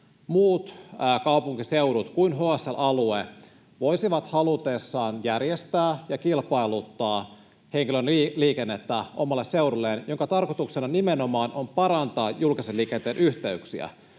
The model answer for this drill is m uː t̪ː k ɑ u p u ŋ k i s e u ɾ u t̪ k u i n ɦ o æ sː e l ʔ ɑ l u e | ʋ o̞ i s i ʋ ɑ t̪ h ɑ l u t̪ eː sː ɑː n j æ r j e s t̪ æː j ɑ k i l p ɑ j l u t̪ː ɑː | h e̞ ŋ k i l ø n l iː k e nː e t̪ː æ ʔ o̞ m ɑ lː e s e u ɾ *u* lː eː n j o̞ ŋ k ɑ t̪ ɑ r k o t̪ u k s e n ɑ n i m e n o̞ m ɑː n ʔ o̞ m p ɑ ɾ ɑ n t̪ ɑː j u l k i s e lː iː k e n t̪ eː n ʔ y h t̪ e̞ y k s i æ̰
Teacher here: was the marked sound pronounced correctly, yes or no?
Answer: yes